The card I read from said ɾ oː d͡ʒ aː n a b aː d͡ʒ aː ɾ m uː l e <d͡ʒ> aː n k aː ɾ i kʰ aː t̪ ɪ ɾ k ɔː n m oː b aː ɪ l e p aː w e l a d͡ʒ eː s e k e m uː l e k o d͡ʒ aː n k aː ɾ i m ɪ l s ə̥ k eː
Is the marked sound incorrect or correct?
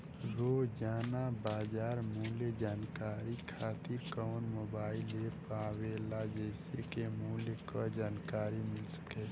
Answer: correct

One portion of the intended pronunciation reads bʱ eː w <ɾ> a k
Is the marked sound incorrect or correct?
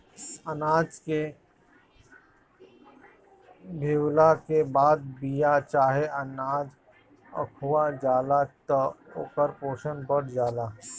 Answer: incorrect: l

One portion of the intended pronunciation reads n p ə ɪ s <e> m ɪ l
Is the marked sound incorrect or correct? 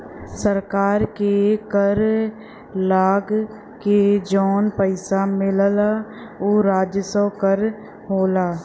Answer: incorrect: a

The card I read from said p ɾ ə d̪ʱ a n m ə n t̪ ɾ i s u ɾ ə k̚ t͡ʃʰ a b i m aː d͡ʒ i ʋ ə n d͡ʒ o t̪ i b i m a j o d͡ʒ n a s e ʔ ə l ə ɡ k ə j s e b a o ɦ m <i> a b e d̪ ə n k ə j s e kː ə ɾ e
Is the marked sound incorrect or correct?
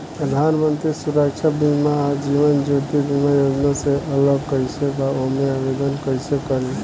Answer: incorrect: e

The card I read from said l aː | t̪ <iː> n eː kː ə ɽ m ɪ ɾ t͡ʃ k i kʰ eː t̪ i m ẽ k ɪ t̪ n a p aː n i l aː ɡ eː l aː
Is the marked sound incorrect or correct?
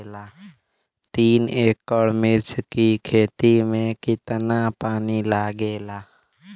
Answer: correct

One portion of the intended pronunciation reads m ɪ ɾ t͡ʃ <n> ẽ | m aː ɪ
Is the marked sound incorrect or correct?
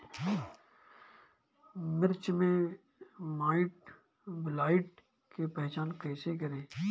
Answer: incorrect: m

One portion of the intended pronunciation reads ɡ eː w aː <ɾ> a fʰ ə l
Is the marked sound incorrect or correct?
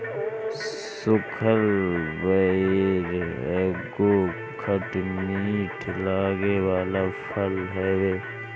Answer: incorrect: l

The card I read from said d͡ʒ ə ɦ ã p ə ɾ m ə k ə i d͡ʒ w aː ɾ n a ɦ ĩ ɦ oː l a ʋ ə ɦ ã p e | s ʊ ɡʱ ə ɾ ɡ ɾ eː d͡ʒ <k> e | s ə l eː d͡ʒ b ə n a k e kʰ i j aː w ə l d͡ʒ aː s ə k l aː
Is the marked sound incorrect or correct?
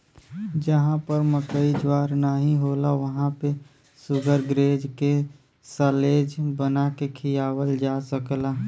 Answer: correct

